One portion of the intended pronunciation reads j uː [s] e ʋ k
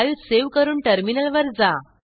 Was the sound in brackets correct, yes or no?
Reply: yes